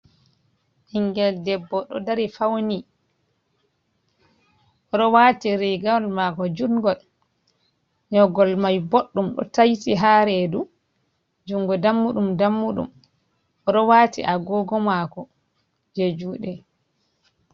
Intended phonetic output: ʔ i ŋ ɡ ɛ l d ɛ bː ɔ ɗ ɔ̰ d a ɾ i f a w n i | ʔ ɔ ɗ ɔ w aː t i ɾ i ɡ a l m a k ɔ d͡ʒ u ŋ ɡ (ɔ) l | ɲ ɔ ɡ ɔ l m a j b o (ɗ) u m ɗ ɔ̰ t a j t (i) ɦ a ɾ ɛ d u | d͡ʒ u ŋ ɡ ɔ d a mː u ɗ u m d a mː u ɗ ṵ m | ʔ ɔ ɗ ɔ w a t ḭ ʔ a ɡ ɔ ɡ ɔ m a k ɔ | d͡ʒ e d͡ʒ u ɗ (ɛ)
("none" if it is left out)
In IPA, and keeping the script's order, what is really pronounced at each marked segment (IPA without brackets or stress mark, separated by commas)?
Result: ɔ, ɗː, i, ɛ